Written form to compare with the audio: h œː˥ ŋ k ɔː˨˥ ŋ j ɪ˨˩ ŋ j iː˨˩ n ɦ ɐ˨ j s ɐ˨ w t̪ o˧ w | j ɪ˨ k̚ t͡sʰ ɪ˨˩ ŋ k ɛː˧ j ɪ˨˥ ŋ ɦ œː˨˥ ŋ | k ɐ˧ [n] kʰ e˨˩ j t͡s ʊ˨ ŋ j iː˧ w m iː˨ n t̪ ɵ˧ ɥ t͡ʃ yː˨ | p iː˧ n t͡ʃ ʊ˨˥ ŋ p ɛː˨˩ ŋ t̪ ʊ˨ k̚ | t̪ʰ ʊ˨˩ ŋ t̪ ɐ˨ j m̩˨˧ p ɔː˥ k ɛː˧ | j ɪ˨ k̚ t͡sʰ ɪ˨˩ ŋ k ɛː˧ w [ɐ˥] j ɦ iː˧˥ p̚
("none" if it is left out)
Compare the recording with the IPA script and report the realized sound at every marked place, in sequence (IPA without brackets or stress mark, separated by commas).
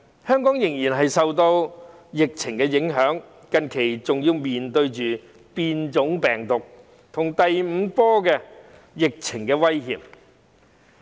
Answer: n, ɐ˥